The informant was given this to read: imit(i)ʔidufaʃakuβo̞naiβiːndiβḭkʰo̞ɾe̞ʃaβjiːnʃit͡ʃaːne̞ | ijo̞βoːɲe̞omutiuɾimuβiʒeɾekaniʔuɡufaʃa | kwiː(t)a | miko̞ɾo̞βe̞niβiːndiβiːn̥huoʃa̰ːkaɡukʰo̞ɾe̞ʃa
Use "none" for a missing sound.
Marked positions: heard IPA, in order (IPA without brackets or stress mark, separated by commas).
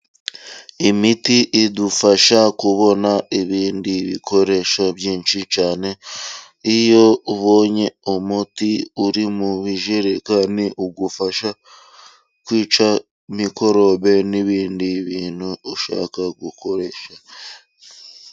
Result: i, t͡ʃ